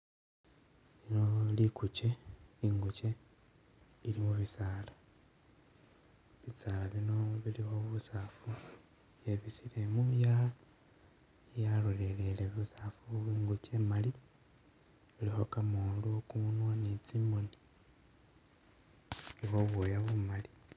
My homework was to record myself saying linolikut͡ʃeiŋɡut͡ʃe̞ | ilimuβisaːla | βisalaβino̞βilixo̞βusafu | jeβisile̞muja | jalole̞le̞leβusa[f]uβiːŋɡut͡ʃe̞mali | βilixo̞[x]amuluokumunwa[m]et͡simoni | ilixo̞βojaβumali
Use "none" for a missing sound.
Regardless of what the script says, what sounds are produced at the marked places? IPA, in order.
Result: f, k, n

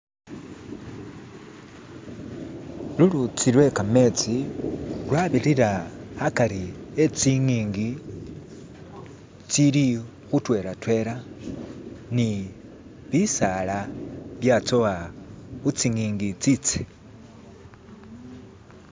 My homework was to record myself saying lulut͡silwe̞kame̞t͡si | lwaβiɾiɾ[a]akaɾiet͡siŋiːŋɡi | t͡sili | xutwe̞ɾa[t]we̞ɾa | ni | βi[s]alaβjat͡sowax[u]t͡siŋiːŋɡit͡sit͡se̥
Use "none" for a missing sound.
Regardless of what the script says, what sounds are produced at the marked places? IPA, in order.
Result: a, t, s, u

